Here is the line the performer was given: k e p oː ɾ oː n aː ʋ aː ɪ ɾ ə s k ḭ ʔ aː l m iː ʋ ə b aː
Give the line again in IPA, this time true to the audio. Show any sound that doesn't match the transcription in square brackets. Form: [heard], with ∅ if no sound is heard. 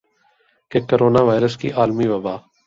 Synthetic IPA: k e [k] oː ɾ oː n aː ʋ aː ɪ ɾ ə s k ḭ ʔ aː l m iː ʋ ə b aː

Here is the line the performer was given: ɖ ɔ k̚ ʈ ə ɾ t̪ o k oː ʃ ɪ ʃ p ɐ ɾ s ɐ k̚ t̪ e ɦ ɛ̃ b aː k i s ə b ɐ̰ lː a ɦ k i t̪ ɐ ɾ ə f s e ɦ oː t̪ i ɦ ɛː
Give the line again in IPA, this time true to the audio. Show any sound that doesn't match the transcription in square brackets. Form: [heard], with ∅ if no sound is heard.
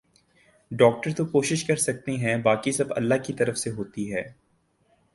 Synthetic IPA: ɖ [ɔː] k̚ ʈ ə ɾ t̪ o k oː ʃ ɪ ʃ [k] ɐ ɾ s ɐ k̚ t̪ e ɦ ɛ̃ b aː k i s [ɐ] b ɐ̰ lː a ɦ k i t̪ ɐ ɾ ə f s e ɦ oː t̪ i ɦ ɛː

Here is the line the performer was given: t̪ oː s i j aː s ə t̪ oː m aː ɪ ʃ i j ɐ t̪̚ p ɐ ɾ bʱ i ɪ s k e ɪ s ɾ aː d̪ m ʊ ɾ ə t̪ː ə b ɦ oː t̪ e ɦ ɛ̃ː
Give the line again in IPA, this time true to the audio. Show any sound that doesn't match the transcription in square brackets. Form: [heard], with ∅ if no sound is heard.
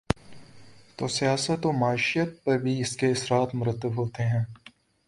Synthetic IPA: t̪ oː s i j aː s ə t̪ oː m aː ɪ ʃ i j [ə] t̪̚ p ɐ ɾ bʱ i ɪ s k e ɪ s ɾ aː [t̪] m ʊ ɾ ə t̪ː ə b ɦ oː t̪ e ɦ ɛ̃ː

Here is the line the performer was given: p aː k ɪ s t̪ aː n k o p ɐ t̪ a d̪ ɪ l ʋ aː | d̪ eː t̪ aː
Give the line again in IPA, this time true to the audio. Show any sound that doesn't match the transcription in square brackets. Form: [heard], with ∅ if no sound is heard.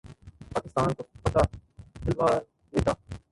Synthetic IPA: p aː k ɪ s t̪ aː n k o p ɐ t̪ a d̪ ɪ l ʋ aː | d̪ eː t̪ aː

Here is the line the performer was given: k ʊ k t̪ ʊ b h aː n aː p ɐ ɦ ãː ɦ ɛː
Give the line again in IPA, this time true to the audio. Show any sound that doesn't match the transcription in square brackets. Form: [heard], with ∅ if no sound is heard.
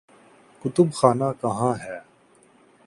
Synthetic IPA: k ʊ [∅] t̪ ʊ b [x] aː n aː [k] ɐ ɦ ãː ɦ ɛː

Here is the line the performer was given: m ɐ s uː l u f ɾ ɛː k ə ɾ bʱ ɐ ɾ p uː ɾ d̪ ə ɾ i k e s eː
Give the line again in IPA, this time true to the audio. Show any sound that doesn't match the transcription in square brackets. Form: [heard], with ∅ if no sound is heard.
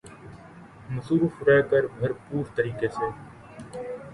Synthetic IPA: m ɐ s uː [ɾ] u f ɾ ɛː k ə ɾ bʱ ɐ ɾ p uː ɾ [t̪] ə ɾ [iː] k e s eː

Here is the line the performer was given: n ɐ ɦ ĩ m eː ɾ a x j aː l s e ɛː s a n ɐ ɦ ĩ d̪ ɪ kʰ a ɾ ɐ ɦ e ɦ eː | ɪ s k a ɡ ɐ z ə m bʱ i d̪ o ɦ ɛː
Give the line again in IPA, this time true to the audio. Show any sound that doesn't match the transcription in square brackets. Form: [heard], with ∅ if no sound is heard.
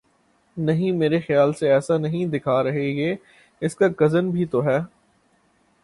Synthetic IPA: n ɐ ɦ ĩ m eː ɾ [e] x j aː l s e ɛː s a n ɐ ɦ ĩ d̪ ɪ kʰ a ɾ ɐ ɦ e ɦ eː | ɪ s k a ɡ ɐ z ə [n] bʱ i [t̪] o ɦ ɛː

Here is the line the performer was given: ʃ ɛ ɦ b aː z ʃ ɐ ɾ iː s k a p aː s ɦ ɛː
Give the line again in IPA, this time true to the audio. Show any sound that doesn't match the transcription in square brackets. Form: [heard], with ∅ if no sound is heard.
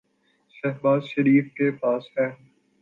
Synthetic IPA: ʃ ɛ ɦ b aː z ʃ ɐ ɾ iː [f] k [e] p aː s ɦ ɛː

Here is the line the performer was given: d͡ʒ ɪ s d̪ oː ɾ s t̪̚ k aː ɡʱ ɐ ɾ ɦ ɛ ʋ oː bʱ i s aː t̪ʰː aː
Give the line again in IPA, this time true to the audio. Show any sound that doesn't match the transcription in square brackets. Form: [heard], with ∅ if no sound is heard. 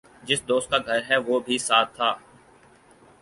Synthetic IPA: d͡ʒ ɪ s d̪ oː [∅] s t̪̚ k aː ɡʱ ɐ ɾ ɦ ɛ ʋ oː bʱ i s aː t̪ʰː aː

